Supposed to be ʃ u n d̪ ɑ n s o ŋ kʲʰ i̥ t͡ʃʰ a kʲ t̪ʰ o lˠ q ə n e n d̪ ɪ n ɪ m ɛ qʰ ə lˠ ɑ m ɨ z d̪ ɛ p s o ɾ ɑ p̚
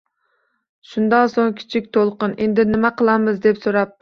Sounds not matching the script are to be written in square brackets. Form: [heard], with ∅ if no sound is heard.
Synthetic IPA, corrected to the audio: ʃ u n d̪ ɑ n s o ŋ kʲʰ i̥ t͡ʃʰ [i] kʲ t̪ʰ o lˠ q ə n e n d̪ ɪ n ɪ m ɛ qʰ ə lˠ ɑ m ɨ z d̪ ɛ p s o ɾ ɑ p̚